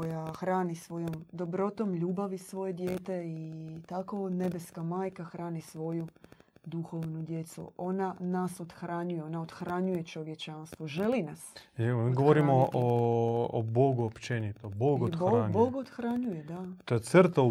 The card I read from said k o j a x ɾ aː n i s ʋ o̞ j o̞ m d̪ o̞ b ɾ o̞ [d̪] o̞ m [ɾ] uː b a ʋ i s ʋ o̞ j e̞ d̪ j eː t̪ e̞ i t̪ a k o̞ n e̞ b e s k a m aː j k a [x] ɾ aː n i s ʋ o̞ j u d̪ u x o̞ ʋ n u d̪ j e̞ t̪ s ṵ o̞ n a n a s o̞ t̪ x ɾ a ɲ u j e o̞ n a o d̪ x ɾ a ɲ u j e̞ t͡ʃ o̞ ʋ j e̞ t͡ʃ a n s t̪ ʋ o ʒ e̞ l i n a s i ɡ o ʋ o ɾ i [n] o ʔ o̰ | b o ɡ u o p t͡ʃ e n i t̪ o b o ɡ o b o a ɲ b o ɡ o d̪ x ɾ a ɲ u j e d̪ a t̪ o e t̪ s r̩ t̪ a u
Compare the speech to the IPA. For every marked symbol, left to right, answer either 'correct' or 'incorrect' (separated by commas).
incorrect, incorrect, correct, incorrect